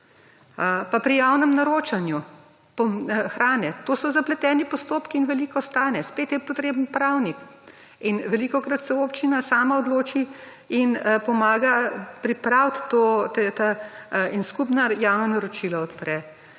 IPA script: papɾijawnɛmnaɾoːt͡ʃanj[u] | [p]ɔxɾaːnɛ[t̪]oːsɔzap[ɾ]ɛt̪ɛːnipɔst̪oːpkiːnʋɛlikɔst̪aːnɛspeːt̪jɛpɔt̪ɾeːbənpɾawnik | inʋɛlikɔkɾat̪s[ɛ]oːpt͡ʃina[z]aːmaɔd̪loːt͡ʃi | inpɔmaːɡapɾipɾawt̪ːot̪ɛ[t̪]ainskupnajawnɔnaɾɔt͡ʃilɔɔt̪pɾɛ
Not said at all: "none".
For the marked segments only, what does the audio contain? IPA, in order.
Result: u, p, t̪, l, ɛ, s, t̪

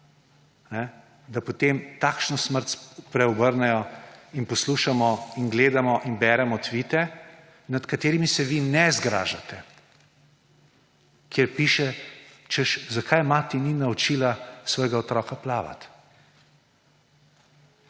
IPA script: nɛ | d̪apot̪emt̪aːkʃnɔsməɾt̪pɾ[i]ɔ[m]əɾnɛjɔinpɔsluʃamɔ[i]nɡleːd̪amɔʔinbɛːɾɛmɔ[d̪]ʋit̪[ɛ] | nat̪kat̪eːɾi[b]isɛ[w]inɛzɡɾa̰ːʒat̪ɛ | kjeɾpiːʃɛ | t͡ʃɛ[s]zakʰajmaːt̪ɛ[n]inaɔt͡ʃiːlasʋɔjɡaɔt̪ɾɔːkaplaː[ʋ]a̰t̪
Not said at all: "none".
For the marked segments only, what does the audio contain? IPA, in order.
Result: ɛ, b, i, t̪, ɛ, m, ʋ, ʃ, n, ʋ

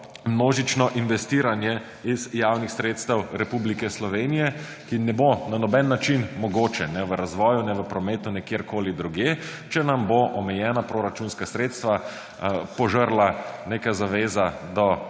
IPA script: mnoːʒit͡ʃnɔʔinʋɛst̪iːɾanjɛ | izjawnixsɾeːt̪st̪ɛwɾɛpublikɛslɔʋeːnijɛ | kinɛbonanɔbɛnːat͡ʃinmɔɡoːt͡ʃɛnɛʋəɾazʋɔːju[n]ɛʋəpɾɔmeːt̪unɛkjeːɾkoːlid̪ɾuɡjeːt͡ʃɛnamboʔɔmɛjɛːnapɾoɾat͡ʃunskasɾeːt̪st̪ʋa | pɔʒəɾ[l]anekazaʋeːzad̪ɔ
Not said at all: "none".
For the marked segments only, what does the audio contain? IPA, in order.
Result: n, l

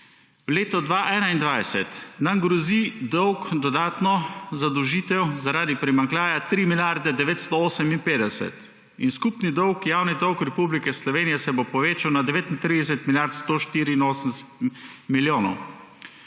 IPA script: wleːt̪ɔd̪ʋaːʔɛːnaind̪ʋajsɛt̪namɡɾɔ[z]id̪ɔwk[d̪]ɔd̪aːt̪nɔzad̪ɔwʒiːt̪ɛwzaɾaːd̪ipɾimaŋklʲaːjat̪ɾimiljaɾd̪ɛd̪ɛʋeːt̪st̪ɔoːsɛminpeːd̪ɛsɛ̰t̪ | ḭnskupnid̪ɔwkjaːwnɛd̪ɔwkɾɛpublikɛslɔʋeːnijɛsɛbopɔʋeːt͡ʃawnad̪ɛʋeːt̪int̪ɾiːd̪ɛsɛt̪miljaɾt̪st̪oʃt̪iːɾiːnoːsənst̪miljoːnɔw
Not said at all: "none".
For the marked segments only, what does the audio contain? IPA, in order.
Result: z, d̪

